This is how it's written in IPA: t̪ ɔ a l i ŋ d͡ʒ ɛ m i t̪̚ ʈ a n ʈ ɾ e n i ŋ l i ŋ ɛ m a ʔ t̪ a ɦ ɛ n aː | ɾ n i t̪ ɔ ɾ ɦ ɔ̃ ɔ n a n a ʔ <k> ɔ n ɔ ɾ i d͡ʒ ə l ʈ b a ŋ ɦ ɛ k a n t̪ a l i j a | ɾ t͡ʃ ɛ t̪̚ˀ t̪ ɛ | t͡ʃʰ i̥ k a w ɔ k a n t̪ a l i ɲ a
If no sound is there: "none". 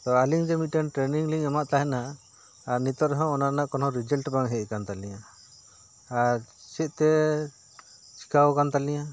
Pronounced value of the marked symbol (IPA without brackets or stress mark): k